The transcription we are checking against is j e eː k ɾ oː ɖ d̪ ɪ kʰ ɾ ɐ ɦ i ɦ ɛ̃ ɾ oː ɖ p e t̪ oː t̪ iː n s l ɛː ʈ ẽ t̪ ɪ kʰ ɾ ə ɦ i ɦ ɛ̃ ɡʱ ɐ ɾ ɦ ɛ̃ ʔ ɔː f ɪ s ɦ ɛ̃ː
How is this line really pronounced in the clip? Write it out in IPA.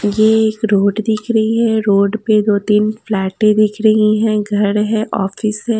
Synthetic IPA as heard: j e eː k ɾ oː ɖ d̪ ɪ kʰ ɾ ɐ ɦ i ɦ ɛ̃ ɾ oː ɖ p e d̪ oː t̪ iː n f l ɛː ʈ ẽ d̪ ɪ kʰ ɾ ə ɦ i ɦ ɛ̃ ɡʱ ɐ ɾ ɦ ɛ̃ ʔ ɔː f ɪ s ɦ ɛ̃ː